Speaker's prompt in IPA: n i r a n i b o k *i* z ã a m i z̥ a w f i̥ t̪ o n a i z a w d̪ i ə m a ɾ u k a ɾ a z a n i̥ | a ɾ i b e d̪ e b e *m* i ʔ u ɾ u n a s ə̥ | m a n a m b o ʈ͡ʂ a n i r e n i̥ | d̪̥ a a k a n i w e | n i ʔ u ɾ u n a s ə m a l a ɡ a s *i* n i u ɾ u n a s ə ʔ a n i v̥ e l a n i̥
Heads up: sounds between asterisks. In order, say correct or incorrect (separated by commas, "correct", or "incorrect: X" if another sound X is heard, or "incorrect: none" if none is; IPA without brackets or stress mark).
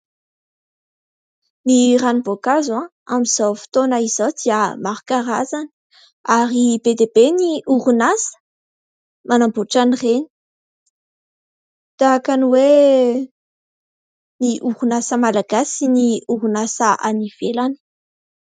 incorrect: a, incorrect: n, correct